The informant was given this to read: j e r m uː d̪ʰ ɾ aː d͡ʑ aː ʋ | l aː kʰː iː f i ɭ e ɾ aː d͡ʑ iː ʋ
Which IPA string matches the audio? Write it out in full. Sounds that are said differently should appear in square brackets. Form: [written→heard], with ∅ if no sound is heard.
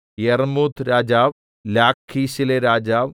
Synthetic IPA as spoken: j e r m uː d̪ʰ ɾ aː d͡ʑ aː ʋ | l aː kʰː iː [f→ɕ] i [ɭ→l] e ɾ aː d͡ʑ [iː→aː] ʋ